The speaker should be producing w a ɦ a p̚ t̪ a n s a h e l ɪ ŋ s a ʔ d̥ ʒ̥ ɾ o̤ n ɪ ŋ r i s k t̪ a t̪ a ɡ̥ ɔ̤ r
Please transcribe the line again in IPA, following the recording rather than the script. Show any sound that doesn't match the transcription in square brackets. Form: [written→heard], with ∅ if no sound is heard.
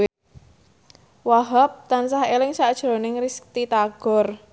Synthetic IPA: w a ɦ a p̚ t̪ a n s a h e l ɪ ŋ s a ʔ d̥ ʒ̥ ɾ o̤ n ɪ ŋ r i s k t̪ [a→i] t̪ a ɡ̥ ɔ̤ r

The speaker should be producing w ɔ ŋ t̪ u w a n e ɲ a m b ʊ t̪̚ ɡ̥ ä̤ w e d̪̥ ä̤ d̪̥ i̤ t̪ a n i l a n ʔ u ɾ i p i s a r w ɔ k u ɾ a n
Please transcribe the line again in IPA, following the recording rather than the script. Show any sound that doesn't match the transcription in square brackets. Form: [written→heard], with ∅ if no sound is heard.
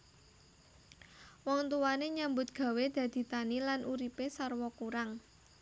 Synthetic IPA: w ɔ ŋ t̪ u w a n e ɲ a m b ʊ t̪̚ ɡ̥ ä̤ w e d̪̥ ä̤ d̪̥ i̤ t̪ a n i l a n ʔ u ɾ i p [i→e] s a r w ɔ k u ɾ a [n→ŋ]

